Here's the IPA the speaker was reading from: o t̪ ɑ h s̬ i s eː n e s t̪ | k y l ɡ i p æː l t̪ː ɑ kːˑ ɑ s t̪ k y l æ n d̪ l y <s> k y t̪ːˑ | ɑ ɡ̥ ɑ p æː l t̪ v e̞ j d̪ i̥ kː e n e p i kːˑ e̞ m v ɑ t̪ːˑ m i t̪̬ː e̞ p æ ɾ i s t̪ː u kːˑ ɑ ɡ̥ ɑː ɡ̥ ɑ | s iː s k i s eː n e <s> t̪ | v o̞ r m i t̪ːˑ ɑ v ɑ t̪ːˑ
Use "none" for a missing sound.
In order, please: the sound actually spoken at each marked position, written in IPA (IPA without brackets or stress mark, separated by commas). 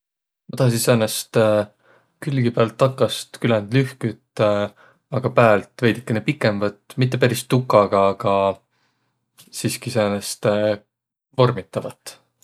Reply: h, s